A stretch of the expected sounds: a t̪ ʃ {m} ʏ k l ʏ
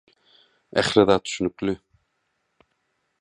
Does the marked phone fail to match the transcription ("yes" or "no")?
yes